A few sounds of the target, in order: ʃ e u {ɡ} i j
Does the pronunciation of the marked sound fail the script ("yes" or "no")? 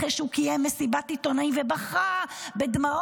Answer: yes